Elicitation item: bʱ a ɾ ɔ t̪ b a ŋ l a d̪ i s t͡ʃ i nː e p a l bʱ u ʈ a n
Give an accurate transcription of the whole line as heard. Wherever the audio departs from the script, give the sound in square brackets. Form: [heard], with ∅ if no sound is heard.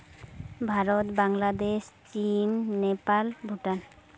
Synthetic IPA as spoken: bʱ a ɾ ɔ t̪ b a ŋ l a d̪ [e] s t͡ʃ i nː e p a l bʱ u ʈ a n